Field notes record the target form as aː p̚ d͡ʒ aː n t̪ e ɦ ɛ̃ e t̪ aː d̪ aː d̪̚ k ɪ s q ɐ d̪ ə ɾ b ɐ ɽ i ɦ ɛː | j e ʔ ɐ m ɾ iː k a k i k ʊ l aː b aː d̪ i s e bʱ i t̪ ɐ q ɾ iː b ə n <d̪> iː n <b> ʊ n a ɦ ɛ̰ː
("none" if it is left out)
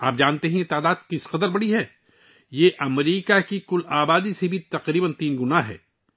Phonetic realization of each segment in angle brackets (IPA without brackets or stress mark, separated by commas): t̪, ɡ